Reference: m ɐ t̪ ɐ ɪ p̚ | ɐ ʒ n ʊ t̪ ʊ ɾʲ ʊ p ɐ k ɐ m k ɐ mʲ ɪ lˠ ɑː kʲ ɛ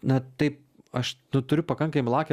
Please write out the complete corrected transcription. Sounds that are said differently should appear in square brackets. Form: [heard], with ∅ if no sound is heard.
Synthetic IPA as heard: [n] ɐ t̪ ɐ ɪ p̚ | ɐ [ʃ] n ʊ t̪ ʊ ɾʲ ʊ p ɐ k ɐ [ŋ] k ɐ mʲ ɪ lˠ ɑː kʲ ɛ

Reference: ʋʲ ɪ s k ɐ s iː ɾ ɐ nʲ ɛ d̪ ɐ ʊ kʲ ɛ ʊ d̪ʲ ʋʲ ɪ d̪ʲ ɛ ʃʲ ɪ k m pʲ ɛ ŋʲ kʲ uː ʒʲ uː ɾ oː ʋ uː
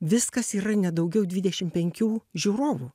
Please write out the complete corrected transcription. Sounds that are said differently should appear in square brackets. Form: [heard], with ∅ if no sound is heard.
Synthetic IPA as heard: ʋʲ ɪ s k ɐ s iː ɾ ɐ nʲ ɛ d̪ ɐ ʊ [ɡʲ] ɛ ʊ d̪ʲ ʋʲ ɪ d̪ʲ ɛ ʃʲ ɪ [∅] m pʲ ɛ ŋʲ kʲ uː ʒʲ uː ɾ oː ʋ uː

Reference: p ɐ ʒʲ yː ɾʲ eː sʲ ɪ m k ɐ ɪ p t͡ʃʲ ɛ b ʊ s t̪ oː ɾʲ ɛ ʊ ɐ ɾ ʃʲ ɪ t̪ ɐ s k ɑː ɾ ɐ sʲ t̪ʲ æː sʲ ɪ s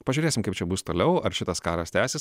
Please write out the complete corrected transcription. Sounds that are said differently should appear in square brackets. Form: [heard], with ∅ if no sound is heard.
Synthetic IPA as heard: p ɐ ʒʲ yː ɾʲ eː sʲ ɪ m k ɐ ɪ p t͡ʃʲ ɛ b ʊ s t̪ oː [lʲ] ɛ ʊ ɐ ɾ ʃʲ ɪ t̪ ɐ s k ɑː ɾ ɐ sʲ t̪ʲ æː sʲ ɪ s

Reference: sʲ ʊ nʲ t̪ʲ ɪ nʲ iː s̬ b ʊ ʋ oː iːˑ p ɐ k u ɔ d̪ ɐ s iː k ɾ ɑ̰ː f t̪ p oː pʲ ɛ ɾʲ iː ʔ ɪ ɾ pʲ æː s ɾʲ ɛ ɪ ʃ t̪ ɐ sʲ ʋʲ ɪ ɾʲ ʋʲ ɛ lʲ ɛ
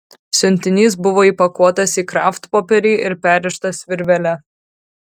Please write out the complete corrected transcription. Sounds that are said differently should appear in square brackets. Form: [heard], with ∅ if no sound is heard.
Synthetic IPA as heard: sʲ ʊ nʲ t̪ʲ ɪ nʲ iː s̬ b ʊ ʋ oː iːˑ p ɐ k u ɔ [t̪] ɐ s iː k ɾ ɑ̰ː f t̪ p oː pʲ ɛ ɾʲ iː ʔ ɪ ɾ pʲ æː [∅] ɾʲ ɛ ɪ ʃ t̪ ɐ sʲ ʋʲ ɪ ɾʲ ʋʲ ɛ lʲ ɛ

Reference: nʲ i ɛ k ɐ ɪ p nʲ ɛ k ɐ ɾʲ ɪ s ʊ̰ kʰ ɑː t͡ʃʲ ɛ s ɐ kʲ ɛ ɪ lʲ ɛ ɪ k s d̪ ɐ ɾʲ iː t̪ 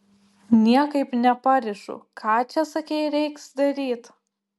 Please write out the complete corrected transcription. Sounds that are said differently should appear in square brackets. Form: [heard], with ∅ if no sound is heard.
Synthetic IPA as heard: nʲ i ɛ k ɐ ɪ p nʲ ɛ [p] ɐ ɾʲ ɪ [ʃ] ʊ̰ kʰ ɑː t͡ʃʲ ɛ s ɐ kʲ ɛ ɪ [ɾʲ] ɛ ɪ k s d̪ ɐ ɾʲ iː t̪

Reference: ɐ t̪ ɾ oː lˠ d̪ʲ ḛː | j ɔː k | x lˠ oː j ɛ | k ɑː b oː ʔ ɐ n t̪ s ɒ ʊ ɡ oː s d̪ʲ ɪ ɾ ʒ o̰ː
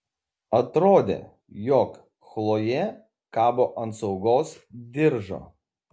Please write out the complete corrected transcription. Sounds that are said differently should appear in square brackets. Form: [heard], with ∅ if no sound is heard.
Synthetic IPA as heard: ɐ t̪ ɾ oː [∅] d̪ʲ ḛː | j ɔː k | x lˠ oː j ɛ | k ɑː b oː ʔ ɐ n t̪ s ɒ ʊ ɡ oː s d̪ʲ ɪ ɾ ʒ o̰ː

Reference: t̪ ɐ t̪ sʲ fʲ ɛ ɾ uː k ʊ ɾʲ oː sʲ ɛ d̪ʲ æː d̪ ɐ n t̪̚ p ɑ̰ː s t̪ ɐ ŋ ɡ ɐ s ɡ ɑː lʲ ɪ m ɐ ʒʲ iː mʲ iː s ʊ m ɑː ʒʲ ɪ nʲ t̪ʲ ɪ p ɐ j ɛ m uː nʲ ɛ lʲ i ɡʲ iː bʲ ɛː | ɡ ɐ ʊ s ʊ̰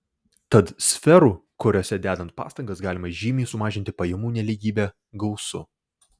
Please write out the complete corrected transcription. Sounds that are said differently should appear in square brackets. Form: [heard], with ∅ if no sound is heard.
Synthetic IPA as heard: t̪ ɐ t̪ sʲ fʲ ɛ ɾ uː k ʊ ɾʲ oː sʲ ɛ d̪ʲ æː d̪ ɐ n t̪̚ p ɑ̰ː s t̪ ɐ ŋ ɡ ɐ s ɡ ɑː lʲ ɪ m ɐ ʒʲ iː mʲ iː s ʊ m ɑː ʒʲ ɪ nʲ t̪ʲ ɪ p ɐ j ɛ m uː nʲ ɛ lʲ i ɡʲ iː bʲ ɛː | ɡ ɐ ʊ s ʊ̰

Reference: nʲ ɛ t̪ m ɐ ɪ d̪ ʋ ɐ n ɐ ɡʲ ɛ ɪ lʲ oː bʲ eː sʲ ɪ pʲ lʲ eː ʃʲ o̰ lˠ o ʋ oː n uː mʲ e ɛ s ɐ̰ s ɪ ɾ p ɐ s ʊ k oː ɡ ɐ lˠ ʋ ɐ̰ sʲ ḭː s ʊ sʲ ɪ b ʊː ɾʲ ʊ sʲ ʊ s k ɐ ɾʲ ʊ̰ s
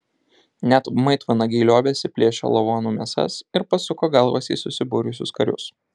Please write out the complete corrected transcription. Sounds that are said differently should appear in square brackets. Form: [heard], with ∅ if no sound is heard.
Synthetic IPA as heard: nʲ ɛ t̪ m ɐ ɪ [t̪] ʋ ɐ n ɐ ɡʲ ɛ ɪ lʲ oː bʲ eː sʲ ɪ pʲ lʲ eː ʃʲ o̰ lˠ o ʋ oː n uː mʲ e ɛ s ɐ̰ s ɪ ɾ p ɐ s ʊ k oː ɡ ɐ lˠ ʋ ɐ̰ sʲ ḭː s ʊ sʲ ɪ b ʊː ɾʲ ʊ sʲ ʊ s k ɐ ɾʲ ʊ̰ s

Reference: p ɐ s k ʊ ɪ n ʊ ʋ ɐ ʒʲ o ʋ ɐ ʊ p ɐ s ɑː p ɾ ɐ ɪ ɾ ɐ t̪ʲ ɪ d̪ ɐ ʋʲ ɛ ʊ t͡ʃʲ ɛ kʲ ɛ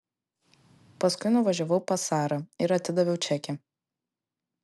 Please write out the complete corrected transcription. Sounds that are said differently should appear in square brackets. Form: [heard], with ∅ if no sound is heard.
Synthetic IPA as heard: p ɐ s k ʊ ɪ n ʊ ʋ ɐ ʒʲ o ʋ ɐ ʊ p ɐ s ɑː [∅] ɾ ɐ ɪ ɾ ɐ t̪ʲ ɪ d̪ ɐ ʋʲ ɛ ʊ t͡ʃʲ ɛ kʲ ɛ

